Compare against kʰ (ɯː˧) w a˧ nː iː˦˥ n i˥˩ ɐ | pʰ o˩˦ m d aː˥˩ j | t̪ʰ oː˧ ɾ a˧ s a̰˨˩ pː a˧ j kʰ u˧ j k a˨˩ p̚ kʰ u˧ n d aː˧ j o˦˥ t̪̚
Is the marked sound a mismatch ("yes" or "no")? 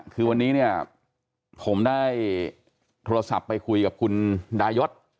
no